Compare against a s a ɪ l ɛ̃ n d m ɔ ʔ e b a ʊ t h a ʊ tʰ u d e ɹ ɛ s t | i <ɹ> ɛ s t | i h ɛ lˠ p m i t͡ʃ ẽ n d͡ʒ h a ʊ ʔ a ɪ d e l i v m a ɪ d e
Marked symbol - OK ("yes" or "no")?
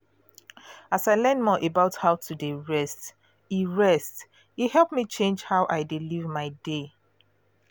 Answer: yes